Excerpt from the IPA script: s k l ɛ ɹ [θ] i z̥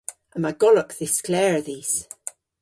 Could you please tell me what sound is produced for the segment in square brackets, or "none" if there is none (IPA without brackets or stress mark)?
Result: ð